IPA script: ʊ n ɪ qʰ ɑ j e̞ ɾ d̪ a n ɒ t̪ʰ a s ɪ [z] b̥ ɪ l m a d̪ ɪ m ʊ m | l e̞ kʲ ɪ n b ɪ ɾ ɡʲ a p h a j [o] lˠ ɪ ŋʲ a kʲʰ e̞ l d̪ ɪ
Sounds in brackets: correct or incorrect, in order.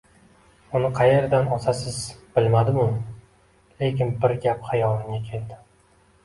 correct, incorrect

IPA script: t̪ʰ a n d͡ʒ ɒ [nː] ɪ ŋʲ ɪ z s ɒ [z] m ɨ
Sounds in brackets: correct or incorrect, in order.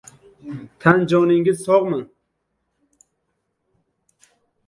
incorrect, incorrect

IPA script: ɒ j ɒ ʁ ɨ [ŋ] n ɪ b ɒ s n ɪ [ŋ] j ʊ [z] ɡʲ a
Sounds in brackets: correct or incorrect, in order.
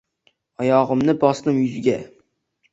incorrect, incorrect, correct

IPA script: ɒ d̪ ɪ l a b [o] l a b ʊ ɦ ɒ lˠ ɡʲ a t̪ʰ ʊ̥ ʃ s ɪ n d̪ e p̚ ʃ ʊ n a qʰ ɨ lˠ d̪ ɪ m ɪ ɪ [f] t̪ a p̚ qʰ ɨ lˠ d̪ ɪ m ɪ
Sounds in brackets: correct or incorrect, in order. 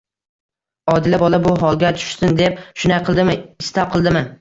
incorrect, incorrect

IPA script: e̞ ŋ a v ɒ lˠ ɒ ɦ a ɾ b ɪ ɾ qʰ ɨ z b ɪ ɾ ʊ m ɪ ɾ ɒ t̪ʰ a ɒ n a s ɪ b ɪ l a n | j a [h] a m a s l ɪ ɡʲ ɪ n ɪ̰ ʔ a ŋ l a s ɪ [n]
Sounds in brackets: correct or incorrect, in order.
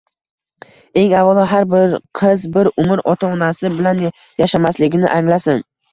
incorrect, correct

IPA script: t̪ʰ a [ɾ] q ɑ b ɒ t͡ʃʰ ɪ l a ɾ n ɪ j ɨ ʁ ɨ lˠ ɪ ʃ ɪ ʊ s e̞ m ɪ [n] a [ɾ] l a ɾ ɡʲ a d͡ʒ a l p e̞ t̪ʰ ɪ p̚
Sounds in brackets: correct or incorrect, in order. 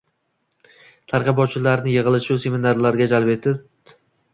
correct, correct, correct

